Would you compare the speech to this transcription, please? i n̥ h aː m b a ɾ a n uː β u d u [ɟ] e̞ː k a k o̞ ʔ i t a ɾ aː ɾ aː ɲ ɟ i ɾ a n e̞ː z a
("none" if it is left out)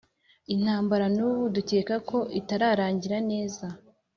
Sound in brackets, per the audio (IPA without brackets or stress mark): c